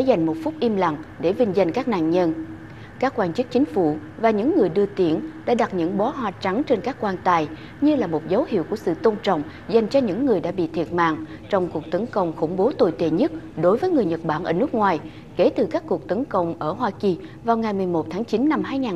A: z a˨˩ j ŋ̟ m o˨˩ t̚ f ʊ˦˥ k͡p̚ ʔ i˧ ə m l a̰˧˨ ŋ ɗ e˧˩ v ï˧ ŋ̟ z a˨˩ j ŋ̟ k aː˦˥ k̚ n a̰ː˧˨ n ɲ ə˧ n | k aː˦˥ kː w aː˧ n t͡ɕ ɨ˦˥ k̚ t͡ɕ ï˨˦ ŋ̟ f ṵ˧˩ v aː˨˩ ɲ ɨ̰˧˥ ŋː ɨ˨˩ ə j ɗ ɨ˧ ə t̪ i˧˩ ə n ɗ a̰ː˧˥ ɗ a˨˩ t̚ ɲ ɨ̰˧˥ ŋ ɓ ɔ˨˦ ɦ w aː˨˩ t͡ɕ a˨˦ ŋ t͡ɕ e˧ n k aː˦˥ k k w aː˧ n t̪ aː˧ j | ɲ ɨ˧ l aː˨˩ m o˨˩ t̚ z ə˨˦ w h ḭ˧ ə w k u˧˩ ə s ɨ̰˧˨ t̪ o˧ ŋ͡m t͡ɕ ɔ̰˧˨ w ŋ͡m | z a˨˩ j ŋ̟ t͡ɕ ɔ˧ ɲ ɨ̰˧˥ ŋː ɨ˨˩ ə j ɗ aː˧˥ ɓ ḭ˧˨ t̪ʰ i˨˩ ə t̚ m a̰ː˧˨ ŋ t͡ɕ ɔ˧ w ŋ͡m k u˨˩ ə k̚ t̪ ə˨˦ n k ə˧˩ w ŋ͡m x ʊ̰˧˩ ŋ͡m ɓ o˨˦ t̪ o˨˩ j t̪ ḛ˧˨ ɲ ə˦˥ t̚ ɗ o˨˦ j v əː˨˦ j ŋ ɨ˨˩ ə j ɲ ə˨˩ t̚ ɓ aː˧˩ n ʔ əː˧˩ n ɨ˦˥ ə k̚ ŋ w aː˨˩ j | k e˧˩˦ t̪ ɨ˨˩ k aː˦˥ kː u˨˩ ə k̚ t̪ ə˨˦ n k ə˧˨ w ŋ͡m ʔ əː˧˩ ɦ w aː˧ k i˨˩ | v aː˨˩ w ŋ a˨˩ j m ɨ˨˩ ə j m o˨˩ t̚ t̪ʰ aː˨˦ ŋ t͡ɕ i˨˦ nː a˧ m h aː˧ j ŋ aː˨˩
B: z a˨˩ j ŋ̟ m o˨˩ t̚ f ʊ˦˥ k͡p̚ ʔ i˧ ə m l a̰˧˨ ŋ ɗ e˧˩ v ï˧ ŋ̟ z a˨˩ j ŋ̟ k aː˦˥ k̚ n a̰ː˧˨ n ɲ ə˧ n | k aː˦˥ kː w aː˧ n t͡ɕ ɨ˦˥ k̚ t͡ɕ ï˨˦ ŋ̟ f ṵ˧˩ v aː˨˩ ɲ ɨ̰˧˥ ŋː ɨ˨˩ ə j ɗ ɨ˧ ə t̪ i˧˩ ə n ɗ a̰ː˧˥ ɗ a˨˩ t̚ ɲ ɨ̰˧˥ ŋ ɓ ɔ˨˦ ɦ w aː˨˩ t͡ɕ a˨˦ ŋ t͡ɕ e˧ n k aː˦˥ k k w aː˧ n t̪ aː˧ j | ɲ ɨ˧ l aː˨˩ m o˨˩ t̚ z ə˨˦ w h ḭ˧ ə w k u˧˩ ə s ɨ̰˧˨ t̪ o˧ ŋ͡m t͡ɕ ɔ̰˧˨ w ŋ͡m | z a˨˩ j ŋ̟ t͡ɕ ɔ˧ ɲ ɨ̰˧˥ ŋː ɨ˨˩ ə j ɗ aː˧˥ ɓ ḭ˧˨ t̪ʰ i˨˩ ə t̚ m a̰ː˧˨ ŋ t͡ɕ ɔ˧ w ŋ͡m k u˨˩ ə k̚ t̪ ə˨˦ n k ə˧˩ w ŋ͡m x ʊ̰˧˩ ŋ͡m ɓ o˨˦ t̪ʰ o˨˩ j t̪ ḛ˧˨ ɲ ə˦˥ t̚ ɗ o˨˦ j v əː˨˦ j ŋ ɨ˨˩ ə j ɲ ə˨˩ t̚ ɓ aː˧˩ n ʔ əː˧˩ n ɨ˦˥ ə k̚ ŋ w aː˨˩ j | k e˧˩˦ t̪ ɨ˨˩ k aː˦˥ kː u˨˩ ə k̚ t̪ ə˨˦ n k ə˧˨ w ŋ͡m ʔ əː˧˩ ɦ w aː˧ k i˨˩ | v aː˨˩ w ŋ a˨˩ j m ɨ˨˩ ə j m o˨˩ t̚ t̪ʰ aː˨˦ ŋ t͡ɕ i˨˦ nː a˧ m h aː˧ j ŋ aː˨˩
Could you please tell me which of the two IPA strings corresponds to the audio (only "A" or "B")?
A